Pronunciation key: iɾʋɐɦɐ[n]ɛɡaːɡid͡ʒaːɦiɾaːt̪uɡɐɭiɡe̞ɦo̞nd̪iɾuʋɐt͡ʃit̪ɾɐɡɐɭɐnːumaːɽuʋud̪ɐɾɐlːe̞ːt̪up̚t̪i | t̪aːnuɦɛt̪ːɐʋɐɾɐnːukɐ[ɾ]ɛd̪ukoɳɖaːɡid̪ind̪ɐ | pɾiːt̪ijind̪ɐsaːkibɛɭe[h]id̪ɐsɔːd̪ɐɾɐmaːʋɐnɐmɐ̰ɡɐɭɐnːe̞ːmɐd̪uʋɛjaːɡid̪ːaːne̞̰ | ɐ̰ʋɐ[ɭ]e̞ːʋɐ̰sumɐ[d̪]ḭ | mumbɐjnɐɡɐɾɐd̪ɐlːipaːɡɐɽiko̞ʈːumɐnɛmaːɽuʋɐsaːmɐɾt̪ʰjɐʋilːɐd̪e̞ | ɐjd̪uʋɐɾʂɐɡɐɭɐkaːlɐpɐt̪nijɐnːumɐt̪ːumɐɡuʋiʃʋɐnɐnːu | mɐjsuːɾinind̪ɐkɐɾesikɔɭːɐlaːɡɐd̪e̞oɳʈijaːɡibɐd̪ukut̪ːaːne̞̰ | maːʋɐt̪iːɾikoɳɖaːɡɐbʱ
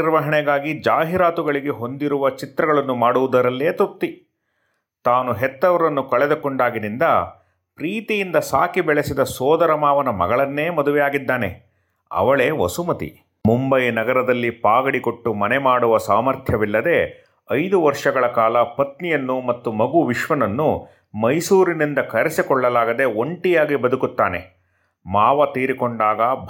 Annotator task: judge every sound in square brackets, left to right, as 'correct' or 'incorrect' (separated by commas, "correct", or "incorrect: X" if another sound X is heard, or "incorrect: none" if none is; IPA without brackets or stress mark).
incorrect: ɳ, incorrect: ɭ, incorrect: s, correct, incorrect: t̪